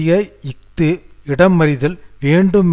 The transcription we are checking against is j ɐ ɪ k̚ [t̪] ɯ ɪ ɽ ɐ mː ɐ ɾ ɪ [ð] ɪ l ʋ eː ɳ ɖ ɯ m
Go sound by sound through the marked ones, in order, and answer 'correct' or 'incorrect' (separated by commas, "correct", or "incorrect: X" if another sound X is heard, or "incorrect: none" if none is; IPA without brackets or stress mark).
correct, correct